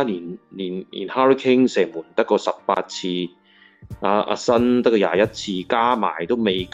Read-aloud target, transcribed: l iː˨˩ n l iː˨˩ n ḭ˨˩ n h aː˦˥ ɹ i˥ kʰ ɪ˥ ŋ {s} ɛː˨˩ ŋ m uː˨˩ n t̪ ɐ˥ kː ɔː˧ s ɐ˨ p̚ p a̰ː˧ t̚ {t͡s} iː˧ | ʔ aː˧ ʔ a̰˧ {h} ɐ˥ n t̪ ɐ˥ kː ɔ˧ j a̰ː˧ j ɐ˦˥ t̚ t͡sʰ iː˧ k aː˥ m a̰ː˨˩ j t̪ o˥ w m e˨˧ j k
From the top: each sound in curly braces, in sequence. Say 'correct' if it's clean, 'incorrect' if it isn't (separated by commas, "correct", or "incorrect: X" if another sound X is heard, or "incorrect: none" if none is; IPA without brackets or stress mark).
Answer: correct, incorrect: t͡sʰ, incorrect: s